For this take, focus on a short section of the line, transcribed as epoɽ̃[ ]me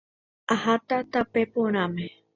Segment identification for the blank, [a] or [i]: a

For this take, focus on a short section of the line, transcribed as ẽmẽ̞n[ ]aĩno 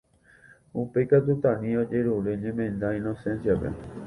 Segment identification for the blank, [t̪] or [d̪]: d̪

